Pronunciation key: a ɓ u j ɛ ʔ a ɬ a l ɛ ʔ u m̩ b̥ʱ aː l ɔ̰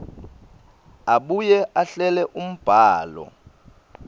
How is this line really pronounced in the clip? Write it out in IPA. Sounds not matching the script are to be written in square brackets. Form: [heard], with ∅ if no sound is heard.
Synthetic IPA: a ɓ u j ɛ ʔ a ɬ [ɛ] l ɛ ʔ u m̩ b̥ʱ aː l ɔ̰